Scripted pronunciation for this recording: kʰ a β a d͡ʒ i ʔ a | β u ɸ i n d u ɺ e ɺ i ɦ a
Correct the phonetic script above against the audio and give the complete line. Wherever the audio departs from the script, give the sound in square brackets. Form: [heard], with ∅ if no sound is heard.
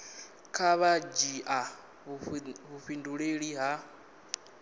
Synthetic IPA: kʰ a β a d͡ʒ i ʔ a | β u ɸ i n d u ɺ e ɺ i ɦ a